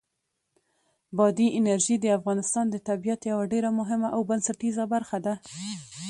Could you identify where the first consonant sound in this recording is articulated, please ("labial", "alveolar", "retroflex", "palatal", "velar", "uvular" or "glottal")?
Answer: labial